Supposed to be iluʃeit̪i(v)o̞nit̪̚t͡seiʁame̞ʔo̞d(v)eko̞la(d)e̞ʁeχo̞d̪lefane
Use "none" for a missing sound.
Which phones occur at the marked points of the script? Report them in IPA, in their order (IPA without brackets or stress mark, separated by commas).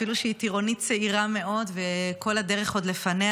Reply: ʁ, v, d